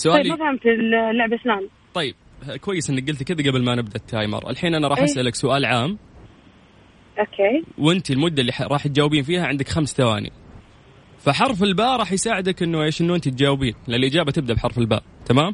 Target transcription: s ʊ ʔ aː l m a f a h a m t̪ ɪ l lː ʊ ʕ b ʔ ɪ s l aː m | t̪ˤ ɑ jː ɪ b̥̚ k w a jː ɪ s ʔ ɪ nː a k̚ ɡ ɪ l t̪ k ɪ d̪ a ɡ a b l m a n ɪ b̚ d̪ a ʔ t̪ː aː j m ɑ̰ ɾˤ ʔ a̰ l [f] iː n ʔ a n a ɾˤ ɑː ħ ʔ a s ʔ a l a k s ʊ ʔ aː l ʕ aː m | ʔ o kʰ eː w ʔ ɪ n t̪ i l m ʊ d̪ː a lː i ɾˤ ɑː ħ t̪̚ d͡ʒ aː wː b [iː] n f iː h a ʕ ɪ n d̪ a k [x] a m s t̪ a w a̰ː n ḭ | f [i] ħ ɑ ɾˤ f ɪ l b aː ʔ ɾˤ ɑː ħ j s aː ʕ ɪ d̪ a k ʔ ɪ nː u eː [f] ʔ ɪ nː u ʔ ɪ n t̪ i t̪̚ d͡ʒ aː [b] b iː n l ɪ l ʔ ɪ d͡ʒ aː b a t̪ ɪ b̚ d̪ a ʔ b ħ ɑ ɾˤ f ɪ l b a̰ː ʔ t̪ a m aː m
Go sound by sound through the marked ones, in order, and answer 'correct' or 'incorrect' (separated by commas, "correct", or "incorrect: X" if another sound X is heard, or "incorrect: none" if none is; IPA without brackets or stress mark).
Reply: incorrect: ħ, correct, correct, incorrect: a, incorrect: ʃ, incorrect: w